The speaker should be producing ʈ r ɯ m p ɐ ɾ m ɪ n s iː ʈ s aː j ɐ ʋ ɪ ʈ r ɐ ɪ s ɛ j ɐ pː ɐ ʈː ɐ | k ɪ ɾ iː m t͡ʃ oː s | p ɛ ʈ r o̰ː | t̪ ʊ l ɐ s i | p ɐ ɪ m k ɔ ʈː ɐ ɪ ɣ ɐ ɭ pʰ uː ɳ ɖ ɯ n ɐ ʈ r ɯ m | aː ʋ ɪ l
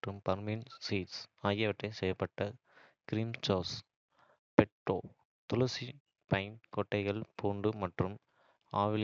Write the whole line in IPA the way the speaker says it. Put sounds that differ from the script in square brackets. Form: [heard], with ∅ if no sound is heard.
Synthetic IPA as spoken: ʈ r ɯ m p ɐ ɾ m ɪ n s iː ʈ s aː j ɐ ʋ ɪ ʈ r ɐ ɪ s ɛ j ɐ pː ɐ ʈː ɐ | k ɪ ɾ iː m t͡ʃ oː s | p ɛ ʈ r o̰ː | t̪ ʊ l ɐ s i | p ɐ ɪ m k ɔ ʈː ɐ ɪ ɣ ɐ ɭ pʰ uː ɳ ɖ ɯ [m] ɐ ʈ r ɯ m | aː ʋ ɪ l